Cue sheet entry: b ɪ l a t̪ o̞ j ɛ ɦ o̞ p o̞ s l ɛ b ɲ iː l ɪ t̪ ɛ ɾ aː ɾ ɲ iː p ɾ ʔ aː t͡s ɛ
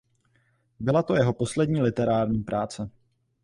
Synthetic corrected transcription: b ɪ l a t̪ o̞ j ɛ ɦ o̞ p o̞ s l ɛ d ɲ iː l ɪ t̪ ɛ ɾ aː ɾ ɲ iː p ɾ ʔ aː t͡s ɛ